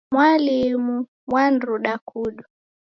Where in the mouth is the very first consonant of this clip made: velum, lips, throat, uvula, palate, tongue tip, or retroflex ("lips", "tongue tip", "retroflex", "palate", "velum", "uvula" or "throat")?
lips